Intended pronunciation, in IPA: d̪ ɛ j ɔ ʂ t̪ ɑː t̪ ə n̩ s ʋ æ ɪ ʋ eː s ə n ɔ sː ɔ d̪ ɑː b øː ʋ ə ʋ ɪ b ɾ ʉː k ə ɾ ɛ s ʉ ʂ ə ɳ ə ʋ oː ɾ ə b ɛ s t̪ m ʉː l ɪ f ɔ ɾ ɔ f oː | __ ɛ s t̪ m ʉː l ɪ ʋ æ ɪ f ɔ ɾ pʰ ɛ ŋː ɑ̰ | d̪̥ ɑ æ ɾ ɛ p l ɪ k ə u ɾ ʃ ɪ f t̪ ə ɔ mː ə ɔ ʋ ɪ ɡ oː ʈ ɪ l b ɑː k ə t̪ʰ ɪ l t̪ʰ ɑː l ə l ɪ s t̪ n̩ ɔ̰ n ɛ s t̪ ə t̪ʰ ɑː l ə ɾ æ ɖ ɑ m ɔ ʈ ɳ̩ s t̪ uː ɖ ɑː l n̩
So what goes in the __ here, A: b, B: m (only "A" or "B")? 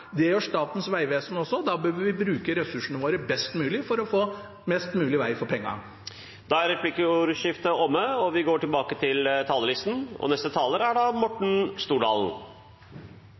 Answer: B